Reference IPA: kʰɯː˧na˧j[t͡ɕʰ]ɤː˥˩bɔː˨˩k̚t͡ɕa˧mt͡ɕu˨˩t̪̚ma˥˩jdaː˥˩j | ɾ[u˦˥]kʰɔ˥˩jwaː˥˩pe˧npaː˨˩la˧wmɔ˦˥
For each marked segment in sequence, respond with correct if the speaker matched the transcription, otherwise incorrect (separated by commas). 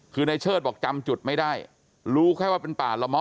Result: correct, incorrect